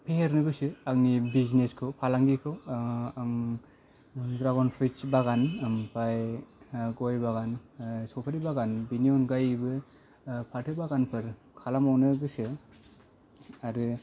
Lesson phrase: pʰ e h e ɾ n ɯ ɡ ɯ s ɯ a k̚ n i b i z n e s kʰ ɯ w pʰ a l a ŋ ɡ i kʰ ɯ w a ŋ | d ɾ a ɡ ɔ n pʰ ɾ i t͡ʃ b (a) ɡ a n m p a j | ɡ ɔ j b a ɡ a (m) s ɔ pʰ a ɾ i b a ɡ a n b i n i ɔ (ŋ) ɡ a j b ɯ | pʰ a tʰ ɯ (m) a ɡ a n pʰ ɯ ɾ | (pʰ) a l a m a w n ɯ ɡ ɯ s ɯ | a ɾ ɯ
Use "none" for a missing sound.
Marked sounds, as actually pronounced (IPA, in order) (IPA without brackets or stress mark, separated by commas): a, n, n, b, kʰ